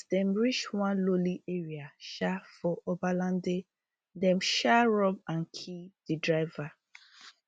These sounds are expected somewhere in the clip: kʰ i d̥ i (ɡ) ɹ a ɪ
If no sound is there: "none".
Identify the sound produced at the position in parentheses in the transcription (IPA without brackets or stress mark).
d